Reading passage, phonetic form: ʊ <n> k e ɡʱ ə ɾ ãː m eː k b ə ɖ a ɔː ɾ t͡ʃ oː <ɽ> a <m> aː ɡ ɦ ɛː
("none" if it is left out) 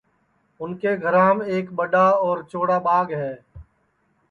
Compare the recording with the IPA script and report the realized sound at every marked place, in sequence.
n, ɽ, b

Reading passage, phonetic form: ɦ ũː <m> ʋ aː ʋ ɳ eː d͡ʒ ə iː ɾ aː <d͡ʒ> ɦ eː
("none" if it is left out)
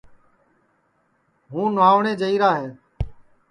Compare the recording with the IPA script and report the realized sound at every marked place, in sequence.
n, none

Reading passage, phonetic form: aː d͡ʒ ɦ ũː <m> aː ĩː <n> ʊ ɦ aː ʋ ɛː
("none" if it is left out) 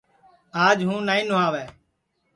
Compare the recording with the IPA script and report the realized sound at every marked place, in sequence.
n, n

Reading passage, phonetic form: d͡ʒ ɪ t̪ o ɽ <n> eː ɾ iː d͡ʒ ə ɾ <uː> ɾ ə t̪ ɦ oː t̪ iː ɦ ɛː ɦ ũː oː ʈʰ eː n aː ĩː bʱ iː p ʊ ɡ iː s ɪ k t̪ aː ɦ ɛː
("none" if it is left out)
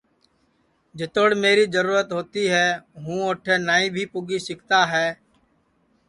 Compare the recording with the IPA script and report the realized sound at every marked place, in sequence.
m, uː

